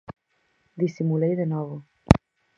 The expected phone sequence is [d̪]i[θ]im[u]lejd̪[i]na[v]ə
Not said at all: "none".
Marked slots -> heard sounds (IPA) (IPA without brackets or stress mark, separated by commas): d̪, s, u, e, v